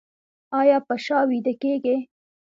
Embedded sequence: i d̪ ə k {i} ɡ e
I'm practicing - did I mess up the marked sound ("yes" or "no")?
yes